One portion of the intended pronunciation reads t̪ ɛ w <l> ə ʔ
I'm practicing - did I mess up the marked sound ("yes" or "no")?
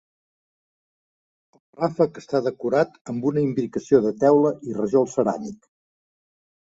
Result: no